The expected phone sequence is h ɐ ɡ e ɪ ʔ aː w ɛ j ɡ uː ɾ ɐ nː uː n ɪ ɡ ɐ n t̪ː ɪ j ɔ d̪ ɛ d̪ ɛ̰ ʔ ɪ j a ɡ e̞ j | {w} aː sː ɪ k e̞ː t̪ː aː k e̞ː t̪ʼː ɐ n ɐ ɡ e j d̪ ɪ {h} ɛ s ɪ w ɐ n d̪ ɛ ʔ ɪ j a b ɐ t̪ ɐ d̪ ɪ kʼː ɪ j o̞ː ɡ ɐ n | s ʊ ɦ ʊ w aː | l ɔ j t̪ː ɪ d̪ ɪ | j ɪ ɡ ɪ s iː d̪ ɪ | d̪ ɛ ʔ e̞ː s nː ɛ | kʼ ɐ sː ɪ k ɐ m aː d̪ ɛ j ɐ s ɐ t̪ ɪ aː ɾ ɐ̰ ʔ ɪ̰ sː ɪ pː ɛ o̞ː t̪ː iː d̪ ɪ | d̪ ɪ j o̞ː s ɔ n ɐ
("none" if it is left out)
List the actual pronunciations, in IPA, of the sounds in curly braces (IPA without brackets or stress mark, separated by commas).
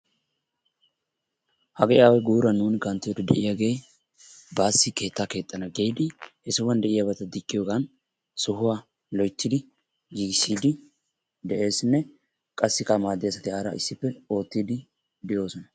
b, h